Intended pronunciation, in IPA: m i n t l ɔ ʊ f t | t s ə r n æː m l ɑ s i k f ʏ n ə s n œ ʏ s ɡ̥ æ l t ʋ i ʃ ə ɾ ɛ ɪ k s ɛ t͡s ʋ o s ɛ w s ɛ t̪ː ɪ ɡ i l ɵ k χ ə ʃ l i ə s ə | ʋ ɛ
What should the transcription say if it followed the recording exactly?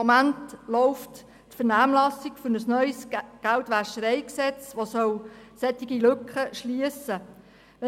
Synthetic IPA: m æ n t l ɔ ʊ f t | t f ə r n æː m l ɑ s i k f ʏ n ə s n œ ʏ s ɡ̥ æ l t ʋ æ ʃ ə ɾ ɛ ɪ k s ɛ t͡s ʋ o s œ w s ɛ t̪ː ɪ ɡ i l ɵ k χ ə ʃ l i ə s ə | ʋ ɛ